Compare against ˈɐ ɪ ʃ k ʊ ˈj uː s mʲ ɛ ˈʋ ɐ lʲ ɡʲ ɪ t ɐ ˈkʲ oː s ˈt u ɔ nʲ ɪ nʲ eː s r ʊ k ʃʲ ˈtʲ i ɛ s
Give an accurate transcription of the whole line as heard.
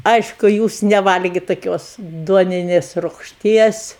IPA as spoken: ˈɐ ɪ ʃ k ʊ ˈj uː s nʲ ɛ ˈʋ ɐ lʲ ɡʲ ɪ t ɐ ˈkʲ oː s ˈd u ɔ nʲ ɪ nʲ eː s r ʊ k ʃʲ ˈtʲ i ɛ s